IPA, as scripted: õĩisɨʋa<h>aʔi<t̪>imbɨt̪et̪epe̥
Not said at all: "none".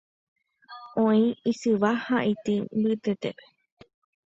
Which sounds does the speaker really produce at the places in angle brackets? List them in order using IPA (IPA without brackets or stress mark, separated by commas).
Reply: h, t̪